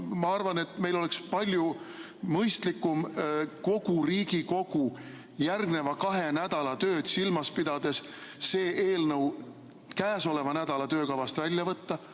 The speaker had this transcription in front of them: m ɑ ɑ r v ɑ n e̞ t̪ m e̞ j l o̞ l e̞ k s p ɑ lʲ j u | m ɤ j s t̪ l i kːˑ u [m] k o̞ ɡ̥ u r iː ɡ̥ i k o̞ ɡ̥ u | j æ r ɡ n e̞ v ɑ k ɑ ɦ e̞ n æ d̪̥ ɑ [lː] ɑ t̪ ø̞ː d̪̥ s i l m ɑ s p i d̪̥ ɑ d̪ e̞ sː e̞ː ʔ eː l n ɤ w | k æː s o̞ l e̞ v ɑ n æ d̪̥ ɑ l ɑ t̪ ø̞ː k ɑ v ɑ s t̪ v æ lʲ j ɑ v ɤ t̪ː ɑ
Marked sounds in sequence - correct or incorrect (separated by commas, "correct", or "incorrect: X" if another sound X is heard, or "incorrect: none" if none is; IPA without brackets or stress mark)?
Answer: correct, incorrect: l